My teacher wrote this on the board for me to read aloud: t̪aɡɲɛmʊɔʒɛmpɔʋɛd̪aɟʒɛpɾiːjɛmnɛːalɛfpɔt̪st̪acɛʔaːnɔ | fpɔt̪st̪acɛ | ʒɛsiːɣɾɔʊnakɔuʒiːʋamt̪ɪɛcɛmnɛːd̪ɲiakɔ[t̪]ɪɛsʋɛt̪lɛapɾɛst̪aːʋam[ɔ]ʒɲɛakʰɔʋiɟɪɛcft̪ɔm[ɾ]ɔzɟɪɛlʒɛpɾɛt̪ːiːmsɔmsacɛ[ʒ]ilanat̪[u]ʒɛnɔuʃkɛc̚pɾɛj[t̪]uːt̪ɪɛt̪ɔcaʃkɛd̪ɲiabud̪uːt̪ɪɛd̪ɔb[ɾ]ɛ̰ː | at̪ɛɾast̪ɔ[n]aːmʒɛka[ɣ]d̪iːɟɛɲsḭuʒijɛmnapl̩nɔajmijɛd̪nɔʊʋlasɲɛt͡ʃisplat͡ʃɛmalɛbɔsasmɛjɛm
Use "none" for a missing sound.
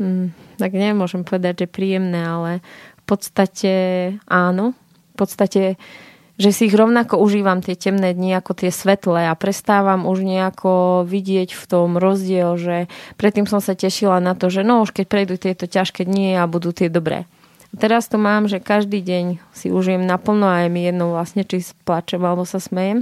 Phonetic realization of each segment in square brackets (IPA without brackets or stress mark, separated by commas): t̪, u, ɾ, ʃ, ɔ, d̪, ɾ, m, ʒ